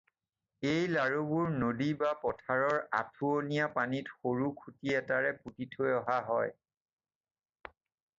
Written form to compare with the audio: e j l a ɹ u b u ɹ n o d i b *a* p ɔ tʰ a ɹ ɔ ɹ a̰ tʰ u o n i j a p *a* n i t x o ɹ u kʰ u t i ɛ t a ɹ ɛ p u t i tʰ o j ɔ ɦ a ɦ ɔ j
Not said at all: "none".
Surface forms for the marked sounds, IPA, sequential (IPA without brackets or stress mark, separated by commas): a, a